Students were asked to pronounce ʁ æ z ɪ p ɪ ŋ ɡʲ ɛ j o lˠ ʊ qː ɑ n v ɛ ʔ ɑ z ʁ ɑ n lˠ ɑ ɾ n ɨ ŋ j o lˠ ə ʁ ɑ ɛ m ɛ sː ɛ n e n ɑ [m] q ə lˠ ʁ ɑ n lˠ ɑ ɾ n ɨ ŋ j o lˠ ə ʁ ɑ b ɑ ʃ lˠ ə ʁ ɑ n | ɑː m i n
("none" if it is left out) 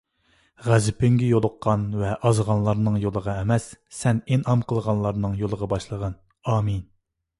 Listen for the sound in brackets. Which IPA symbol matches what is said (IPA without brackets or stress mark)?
m